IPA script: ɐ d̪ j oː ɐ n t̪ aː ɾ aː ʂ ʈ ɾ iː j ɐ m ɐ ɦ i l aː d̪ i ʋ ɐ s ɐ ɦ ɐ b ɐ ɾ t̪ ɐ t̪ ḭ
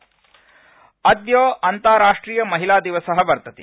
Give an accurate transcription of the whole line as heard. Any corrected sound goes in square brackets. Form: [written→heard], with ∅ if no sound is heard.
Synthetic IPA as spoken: ɐ d̪ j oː ɐ n t̪ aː ɾ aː ʂ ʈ ɾ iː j ɐ m ɐ ɦ i l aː d̪ i ʋ ɐ s ɐ ɦ ɐ b ɐ ɾ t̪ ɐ t̪ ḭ